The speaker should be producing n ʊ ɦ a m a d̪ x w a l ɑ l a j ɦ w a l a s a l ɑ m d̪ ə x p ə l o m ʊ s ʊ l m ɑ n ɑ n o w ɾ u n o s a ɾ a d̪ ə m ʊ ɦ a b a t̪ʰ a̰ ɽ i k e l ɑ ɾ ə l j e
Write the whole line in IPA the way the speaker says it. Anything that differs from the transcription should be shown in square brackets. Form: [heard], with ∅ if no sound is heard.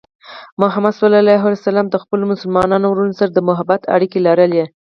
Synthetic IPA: [m] ʊ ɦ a m a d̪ [s] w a l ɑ l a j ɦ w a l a s a l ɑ m d̪ ə x p ə l o m ʊ s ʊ l m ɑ n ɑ n o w ɾ u n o s a ɾ a d̪ ə m ʊ ɦ a b a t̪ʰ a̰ ɽ i k e l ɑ ɾ ə l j e